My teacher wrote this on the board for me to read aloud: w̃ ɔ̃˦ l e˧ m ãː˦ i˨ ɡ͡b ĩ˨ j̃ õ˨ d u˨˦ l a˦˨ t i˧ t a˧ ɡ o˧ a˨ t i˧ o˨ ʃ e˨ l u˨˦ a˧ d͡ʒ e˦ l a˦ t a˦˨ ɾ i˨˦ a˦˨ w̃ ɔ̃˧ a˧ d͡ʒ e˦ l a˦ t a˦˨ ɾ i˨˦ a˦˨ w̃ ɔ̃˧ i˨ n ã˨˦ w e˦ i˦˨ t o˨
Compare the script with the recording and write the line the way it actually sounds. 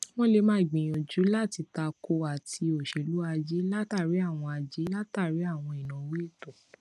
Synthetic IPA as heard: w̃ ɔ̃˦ l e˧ m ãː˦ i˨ ɡ͡b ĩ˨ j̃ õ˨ d͡ʒ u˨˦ l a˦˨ t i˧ t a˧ k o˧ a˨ t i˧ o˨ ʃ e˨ l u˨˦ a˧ d͡ʒ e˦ l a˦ t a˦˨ ɾ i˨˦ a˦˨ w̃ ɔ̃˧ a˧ d͡ʒ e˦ l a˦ t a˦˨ ɾ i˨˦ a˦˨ w̃ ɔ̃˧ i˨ n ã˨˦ w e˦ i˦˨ t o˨